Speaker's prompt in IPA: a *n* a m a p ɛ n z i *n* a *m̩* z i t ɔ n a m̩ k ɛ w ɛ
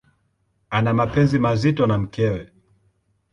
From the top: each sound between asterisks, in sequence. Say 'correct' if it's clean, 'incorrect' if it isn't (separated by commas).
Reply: correct, incorrect, incorrect